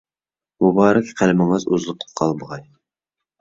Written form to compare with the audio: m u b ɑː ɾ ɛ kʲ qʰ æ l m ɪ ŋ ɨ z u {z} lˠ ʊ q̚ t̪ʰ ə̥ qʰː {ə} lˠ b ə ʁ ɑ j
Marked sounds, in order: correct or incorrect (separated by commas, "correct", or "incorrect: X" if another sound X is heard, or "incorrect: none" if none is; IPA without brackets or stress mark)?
correct, incorrect: ɑ